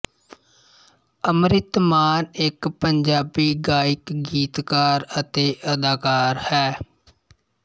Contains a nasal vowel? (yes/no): no